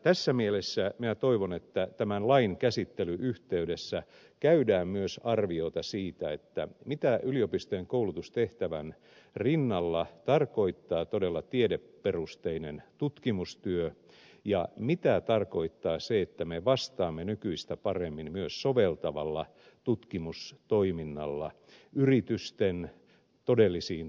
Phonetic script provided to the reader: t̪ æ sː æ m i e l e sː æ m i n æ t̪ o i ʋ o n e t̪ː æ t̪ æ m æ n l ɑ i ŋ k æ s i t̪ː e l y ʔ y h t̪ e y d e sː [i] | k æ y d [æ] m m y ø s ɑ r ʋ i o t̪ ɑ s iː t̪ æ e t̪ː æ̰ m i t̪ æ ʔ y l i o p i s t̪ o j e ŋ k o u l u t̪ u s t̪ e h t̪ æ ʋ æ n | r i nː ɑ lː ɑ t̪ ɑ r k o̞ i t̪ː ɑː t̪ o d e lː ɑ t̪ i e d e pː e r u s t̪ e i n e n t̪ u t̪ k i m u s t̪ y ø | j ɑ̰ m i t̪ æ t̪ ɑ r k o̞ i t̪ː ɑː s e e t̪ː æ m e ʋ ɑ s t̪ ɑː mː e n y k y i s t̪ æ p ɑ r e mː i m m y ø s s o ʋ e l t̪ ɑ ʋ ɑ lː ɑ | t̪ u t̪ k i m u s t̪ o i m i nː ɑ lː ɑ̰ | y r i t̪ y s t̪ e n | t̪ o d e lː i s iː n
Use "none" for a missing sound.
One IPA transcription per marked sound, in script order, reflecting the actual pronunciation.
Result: æ, æː

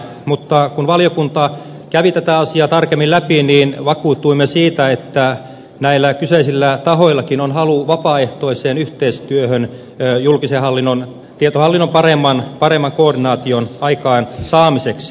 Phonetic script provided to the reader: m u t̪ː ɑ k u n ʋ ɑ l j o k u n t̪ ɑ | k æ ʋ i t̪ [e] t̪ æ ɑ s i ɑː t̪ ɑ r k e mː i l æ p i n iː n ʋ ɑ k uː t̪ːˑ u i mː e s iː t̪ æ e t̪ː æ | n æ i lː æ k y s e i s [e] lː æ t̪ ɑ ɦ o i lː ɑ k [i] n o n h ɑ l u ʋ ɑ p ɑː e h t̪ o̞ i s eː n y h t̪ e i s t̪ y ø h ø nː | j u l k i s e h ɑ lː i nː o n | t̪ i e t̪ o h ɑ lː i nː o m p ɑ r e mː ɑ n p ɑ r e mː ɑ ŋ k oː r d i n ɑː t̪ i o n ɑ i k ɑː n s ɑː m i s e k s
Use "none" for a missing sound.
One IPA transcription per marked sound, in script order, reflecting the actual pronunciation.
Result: æ, i, i

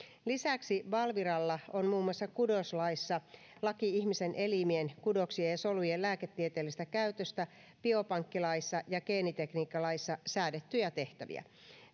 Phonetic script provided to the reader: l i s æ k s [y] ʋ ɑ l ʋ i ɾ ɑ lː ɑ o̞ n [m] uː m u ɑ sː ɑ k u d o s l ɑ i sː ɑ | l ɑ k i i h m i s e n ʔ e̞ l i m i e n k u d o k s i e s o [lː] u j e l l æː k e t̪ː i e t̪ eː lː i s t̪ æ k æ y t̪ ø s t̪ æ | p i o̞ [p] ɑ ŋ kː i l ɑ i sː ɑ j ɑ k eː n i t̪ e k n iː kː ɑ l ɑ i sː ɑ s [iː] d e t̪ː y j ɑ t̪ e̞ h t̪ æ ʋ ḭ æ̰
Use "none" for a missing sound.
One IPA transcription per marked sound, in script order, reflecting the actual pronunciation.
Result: i, m, l, p, æː

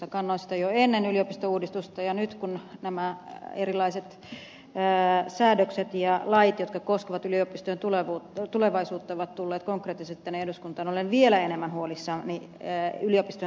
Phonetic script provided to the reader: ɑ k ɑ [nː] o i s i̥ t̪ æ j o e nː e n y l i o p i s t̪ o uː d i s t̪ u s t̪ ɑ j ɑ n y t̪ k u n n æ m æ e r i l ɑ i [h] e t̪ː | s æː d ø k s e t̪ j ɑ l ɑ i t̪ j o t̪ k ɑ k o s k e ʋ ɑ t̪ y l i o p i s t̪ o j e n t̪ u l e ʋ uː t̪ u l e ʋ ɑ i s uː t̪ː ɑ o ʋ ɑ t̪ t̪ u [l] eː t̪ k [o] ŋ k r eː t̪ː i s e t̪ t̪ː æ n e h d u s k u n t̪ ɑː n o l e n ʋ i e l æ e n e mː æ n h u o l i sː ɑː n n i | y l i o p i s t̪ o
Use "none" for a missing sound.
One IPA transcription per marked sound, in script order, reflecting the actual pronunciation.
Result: nː, s, lː, o

